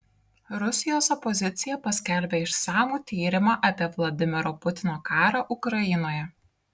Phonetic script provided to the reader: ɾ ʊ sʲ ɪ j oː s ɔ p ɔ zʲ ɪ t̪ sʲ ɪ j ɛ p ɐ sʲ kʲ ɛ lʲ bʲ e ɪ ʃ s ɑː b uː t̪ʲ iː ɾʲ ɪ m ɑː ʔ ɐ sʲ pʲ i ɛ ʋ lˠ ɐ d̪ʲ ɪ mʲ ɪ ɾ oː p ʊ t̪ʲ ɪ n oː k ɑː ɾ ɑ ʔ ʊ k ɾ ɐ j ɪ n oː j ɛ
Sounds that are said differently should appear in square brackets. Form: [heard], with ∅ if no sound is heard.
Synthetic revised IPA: ɾ ʊ sʲ ɪ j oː s ɔ p ɔ zʲ ɪ t̪ sʲ ɪ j ɛ p ɐ sʲ kʲ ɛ lʲ bʲ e ɪ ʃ s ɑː [m] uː t̪ʲ iː ɾʲ ɪ m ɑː ʔ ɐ [∅] pʲ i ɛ ʋ lˠ ɐ d̪ʲ ɪ mʲ ɪ ɾ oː p ʊ t̪ʲ ɪ n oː k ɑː ɾ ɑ ʔ ʊ k ɾ ɐ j ɪ n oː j ɛ